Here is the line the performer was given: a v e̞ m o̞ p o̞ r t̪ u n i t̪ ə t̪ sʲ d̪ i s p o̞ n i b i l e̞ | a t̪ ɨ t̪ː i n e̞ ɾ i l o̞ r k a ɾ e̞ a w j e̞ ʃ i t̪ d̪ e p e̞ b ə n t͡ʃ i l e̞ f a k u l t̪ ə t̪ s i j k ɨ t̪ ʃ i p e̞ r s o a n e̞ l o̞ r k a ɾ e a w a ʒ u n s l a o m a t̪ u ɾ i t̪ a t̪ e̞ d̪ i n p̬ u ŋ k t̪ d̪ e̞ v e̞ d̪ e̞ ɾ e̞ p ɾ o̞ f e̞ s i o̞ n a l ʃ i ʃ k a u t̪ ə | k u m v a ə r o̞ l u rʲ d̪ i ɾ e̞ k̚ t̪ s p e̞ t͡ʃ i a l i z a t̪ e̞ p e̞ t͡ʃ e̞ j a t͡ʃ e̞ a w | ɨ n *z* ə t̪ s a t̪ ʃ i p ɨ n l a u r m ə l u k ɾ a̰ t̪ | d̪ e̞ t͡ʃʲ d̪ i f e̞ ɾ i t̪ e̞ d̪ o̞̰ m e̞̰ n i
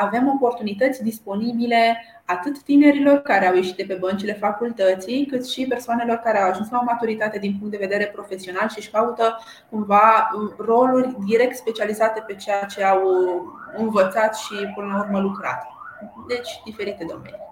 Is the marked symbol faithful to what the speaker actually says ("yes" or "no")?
no